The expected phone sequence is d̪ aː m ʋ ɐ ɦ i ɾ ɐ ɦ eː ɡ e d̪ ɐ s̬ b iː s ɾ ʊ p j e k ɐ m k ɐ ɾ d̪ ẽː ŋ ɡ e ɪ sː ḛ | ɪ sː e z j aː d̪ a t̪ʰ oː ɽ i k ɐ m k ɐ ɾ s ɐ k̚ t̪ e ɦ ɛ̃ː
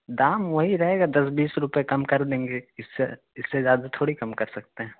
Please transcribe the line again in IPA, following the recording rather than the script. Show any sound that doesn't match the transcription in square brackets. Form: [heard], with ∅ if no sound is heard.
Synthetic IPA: d̪ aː m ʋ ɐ ɦ i ɾ ɐ ɦ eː ɡ [a] d̪ ɐ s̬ b iː s ɾ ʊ p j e k ɐ m k ɐ ɾ d̪ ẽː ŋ ɡ e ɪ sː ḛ | ɪ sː e z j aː d̪ a t̪ʰ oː ɽ i k ɐ m k ɐ ɾ s ɐ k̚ t̪ e ɦ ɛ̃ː